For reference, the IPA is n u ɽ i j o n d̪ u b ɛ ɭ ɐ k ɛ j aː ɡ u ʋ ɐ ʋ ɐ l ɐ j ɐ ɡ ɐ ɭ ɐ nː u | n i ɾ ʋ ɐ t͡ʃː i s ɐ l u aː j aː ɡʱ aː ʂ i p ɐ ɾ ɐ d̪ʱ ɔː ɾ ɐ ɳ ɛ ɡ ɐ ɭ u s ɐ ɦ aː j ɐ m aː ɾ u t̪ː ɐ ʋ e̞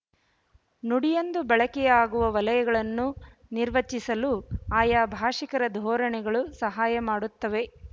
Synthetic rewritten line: n u ɽ i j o n d̪ u b ɛ ɭ ɐ k ɛ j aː ɡ u ʋ ɐ ʋ ɐ l ɐ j ɐ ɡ ɐ ɭ ɐ nː u | n i ɾ ʋ ɐ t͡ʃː i s ɐ l u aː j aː bʱ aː ʂ i k ɐ ɾ ɐ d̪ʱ ɔː ɾ ɐ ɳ ɛ ɡ ɐ ɭ u s ɐ ɦ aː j ɐ m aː ɽ u t̪ː ɐ ʋ e̞